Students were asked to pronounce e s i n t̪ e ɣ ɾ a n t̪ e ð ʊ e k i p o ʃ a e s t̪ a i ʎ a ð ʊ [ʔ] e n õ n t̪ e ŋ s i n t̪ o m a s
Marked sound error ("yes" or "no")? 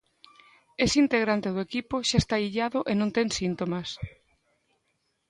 no